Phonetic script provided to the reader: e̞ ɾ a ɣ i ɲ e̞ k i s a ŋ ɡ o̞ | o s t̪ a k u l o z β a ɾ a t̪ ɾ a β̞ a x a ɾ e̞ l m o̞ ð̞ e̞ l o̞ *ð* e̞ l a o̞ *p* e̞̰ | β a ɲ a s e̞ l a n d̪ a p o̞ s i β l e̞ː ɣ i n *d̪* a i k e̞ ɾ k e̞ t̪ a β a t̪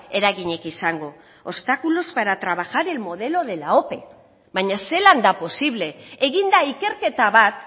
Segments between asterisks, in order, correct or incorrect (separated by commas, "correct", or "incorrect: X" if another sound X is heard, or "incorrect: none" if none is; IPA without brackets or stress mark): correct, correct, correct